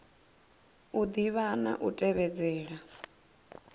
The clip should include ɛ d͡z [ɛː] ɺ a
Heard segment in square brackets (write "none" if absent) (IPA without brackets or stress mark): ɛː